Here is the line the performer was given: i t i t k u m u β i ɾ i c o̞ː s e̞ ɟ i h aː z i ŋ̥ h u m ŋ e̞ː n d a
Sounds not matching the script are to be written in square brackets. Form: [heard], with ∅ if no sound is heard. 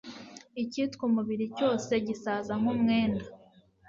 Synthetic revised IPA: i [c] i t k u m u β i ɾ i c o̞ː s e̞ ɟ i [s] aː z [a] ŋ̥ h u m ŋ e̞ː n d a